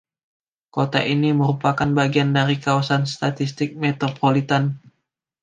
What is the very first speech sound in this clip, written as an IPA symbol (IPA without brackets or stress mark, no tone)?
k